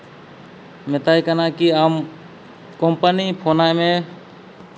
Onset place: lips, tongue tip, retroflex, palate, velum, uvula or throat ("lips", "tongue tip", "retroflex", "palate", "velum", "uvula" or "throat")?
lips